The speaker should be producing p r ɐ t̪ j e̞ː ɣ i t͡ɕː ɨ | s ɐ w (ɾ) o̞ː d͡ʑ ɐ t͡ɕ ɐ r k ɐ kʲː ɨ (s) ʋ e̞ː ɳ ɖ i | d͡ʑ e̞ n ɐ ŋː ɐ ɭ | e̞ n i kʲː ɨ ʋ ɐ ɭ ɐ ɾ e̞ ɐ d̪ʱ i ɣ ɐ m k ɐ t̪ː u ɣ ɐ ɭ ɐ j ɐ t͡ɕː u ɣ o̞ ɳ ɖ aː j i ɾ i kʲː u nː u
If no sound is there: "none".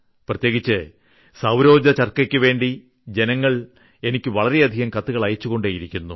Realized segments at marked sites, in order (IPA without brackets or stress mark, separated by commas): ɾ, none